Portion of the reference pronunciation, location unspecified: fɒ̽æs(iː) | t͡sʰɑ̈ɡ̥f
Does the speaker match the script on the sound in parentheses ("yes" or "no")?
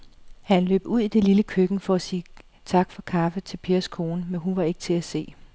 yes